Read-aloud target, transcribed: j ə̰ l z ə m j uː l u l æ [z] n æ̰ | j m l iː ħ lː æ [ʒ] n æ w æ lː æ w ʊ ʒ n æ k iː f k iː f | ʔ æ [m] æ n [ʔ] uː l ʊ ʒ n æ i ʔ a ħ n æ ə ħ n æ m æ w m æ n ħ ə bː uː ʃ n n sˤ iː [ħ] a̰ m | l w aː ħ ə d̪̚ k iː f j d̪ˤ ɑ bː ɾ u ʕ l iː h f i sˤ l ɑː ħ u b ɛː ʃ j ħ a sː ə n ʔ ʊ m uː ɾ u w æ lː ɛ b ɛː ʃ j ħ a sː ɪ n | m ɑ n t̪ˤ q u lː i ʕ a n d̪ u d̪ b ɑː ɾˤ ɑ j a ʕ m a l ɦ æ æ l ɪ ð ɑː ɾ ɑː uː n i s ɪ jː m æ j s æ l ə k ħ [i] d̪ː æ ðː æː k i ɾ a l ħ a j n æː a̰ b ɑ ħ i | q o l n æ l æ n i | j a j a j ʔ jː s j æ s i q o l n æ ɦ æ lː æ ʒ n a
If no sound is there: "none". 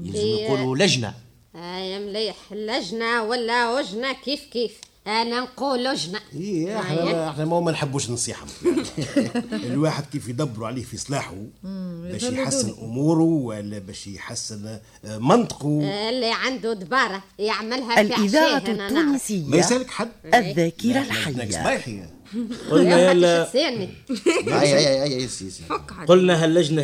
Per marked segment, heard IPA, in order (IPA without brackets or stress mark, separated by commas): ʒ, ʒ, n, q, ħ, a